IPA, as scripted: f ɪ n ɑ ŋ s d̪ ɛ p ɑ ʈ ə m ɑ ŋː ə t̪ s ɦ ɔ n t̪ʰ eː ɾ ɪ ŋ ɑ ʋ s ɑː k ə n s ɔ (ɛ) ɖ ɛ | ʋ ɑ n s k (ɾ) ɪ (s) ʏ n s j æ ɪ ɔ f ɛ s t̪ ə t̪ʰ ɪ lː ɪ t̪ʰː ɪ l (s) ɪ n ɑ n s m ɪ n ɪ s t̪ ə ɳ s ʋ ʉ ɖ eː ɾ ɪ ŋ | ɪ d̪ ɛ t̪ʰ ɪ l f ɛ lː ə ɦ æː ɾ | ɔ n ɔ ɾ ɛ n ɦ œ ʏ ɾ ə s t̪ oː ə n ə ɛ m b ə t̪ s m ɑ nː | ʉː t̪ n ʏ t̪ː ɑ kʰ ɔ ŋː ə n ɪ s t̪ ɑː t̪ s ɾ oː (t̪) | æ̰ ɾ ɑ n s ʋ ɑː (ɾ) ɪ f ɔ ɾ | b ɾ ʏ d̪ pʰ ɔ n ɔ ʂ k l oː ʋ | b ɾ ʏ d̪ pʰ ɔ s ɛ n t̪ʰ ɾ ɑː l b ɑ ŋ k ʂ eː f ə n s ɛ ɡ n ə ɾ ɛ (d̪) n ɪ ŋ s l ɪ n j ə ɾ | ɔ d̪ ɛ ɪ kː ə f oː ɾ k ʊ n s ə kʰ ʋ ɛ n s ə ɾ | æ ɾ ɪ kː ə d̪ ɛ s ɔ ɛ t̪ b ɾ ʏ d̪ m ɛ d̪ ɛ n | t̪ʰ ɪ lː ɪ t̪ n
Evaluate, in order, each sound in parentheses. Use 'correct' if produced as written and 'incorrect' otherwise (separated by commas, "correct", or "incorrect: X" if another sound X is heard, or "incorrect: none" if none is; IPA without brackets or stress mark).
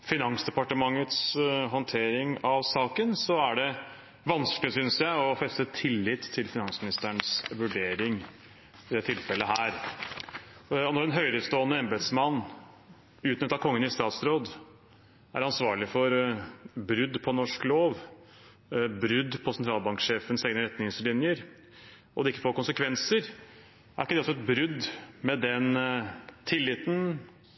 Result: incorrect: æ, incorrect: l, correct, incorrect: f, incorrect: d̪, incorrect: ɭ, incorrect: t̪